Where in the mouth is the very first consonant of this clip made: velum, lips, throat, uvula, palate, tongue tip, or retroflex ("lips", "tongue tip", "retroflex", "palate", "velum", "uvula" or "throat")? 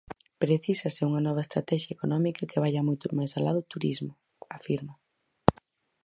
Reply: lips